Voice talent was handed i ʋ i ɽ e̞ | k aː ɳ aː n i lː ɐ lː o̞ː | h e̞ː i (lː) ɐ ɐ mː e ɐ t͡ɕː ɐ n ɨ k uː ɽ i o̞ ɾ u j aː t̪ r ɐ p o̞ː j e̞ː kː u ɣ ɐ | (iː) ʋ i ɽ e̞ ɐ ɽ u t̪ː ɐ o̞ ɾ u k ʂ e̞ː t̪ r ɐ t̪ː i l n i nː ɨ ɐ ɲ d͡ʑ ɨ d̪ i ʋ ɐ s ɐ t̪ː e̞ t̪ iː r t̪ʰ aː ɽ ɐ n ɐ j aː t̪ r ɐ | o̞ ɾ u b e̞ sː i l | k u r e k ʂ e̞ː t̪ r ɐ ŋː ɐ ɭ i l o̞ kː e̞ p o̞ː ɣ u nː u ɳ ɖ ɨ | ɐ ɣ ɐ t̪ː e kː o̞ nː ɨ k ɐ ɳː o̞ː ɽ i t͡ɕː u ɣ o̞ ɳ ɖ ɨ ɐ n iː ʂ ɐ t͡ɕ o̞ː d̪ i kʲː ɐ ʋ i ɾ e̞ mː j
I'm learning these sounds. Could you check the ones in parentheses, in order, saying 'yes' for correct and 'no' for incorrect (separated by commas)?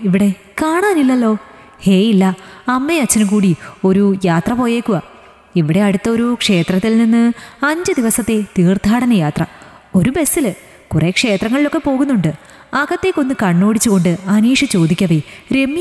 yes, no